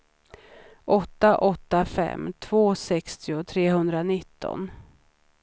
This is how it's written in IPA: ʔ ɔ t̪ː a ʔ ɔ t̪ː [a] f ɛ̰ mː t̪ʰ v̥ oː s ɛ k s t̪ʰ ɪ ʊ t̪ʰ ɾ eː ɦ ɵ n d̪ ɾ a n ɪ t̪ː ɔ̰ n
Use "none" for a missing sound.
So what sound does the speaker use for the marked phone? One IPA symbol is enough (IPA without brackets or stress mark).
a